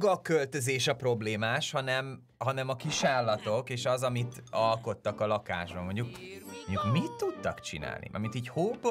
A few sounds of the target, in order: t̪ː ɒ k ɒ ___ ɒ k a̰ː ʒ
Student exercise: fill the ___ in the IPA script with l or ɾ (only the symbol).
l